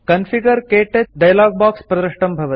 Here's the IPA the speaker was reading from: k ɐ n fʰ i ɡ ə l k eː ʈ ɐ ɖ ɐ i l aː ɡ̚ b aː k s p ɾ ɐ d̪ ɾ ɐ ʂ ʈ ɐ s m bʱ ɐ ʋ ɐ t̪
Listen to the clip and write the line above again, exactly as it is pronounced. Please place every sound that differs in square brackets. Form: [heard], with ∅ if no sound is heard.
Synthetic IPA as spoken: k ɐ n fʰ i ɡ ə [ɾ] k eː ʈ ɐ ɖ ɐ [j] l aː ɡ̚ b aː k s p ɾ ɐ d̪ ɾ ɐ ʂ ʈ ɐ [∅] m bʱ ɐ ʋ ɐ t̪